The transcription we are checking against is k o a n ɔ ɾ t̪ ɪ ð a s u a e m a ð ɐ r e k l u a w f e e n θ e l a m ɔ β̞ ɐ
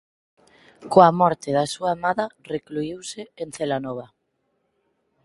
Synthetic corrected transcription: k o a m ɔ ɾ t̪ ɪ ð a s u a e m a ð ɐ r e k l u i w s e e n θ e l a n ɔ β̞ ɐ